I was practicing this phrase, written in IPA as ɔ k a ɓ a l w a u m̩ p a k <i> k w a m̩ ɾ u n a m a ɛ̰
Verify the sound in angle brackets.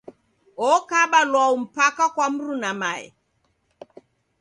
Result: incorrect: a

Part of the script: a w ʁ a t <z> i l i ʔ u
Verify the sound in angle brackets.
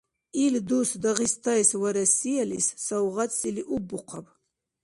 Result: incorrect: s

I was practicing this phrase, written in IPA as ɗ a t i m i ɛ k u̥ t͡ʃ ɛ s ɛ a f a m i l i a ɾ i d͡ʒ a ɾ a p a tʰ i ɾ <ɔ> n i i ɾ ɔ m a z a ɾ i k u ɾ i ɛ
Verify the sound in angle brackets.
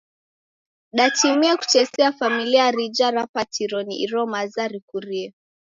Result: correct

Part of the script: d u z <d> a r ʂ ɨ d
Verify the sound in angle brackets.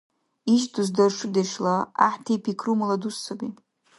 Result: correct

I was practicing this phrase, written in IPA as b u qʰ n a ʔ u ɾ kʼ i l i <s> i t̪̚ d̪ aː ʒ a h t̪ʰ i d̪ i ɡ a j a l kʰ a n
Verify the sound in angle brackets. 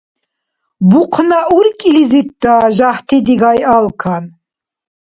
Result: incorrect: z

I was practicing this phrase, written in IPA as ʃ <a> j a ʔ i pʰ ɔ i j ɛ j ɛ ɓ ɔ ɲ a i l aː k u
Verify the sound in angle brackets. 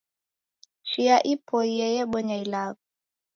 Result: incorrect: i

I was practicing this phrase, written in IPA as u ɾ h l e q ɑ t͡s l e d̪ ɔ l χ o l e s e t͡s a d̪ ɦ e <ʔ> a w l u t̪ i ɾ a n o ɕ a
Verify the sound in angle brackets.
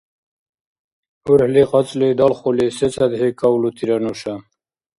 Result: incorrect: k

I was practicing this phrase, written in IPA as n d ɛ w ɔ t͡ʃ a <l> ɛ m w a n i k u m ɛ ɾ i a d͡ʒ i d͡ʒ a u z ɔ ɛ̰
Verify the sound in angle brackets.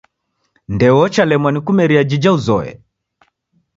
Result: correct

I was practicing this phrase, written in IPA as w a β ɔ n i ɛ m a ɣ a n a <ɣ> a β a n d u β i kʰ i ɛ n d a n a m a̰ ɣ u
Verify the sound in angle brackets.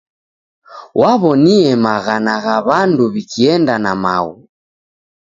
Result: correct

